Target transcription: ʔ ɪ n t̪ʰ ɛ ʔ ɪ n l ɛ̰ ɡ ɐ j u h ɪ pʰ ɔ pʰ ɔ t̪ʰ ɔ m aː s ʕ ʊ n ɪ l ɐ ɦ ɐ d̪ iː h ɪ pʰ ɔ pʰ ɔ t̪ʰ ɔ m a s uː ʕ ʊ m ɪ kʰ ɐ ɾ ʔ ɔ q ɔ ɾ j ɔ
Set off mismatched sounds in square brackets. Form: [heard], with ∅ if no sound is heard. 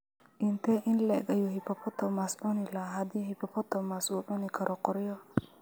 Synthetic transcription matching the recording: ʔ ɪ n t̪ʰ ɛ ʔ ɪ n l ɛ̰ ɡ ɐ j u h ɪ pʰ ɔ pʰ ɔ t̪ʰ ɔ m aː s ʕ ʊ n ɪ l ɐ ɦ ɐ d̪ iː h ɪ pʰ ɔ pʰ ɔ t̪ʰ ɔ m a s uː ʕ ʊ [n] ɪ kʰ ɐ ɾ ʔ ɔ q ɔ ɾ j ɔ

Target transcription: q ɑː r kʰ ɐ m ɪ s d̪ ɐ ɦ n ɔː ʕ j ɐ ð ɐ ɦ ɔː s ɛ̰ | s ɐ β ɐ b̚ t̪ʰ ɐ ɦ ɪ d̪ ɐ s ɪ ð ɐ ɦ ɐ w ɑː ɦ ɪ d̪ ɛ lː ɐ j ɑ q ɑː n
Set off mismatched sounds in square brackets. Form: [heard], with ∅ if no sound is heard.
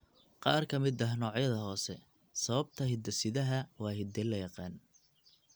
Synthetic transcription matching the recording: q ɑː r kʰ ɐ m ɪ [∅] d̪ ɐ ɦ n ɔː ʕ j ɐ ð ɐ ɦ ɔː s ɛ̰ | s ɐ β ɐ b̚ t̪ʰ ɐ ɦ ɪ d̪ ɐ s ɪ ð ɐ ɦ ɐ w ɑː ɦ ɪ d̪ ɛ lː ɐ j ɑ q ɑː n

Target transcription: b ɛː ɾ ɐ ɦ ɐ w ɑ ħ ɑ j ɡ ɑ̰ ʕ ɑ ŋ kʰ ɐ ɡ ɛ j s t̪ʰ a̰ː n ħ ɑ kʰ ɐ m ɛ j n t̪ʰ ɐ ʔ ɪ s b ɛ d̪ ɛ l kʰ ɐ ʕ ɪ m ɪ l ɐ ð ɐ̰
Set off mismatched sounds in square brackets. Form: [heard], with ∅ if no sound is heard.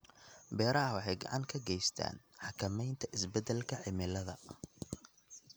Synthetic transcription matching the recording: b ɛː ɾ ɐ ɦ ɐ w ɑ ħ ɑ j ɡ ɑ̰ ʕ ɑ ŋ kʰ ɐ ɡ ɛ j s t̪ʰ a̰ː n ħ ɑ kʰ ɐ m ɛ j n t̪ʰ ɐ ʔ ɪ s b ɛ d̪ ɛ l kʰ ɐ ʕ ɪ m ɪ l ɐ ð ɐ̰

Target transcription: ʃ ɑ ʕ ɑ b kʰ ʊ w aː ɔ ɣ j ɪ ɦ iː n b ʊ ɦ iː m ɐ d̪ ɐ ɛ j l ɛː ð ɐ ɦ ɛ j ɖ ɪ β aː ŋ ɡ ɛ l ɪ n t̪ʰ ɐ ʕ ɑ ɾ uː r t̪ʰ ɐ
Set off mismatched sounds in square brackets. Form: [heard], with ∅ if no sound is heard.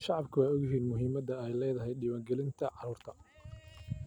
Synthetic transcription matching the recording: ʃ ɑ ʕ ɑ b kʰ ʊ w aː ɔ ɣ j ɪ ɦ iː n [m] ʊ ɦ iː m ɐ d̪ ɐ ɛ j l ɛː ð ɐ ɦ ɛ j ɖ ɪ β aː ŋ ɡ ɛ l ɪ n t̪ʰ ɐ ʕ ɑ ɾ uː r t̪ʰ ɐ

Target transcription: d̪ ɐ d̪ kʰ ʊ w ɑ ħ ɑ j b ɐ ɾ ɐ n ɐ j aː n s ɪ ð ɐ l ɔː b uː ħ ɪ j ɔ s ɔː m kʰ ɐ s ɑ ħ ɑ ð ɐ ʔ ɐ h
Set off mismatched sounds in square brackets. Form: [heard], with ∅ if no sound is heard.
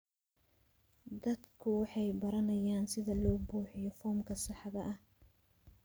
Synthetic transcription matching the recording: d̪ ɐ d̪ kʰ ʊ w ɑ ħ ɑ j b ɐ ɾ ɐ n ɐ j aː n s ɪ ð ɐ l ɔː b uː ħ ɪ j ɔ [f] ɔː m kʰ ɐ s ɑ ħ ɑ ð ɐ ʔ ɐ h

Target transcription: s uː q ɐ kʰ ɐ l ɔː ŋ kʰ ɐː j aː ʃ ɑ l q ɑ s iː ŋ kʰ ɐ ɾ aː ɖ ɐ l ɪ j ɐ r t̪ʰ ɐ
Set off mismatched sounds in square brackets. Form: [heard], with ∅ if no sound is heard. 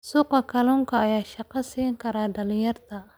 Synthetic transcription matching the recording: s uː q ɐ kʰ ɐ l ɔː ŋ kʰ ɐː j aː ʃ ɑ [∅] q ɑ s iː ŋ kʰ ɐ ɾ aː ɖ ɐ l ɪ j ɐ r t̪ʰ ɐ

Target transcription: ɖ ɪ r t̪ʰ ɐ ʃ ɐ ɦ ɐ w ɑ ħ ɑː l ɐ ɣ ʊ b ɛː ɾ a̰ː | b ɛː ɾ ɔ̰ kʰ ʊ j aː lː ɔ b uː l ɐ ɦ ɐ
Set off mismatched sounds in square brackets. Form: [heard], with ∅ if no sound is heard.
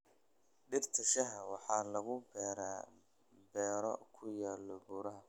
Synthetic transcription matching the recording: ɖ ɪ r t̪ʰ ɐ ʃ ɐ ɦ ɐ w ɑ ħ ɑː l ɐ ɣ ʊ b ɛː ɾ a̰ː | b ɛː ɾ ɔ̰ kʰ ʊ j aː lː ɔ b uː [ɾ] ɐ ɦ ɐ

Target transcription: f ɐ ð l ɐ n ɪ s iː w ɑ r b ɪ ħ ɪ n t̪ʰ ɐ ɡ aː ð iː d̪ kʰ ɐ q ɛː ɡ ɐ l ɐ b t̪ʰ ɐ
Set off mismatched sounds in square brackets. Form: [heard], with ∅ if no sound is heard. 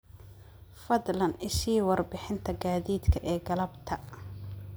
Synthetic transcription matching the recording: f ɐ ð l ɐ n ɪ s iː w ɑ r b ɪ ħ ɪ n t̪ʰ ɐ ɡ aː ð iː d̪ kʰ ɐ [ʔ] ɛː ɡ ɐ l ɐ b t̪ʰ ɐ

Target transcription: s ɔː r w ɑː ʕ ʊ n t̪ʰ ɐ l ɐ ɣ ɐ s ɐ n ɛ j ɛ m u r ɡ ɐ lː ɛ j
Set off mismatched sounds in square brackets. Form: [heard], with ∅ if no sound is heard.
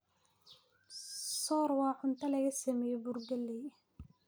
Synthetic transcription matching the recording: s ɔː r w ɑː ʕ ʊ n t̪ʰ ɐ l ɐ ɣ ɐ s ɐ [m] ɛ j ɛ [b] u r ɡ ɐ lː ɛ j

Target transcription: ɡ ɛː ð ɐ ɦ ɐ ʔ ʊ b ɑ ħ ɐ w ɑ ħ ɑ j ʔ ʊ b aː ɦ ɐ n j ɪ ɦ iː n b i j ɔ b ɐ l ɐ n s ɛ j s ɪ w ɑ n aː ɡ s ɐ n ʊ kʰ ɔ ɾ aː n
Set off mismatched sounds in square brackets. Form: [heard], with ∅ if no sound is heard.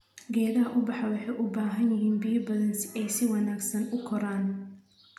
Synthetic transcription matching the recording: ɡ ɛː ð ɐ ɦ ɐ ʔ ʊ b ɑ ħ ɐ w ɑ ħ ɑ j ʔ ʊ b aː ɦ ɐ n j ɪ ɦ iː n b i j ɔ b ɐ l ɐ n s ɛ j s ɪ w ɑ n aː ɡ s ɐ n ʊ kʰ ɔ ɾ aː n

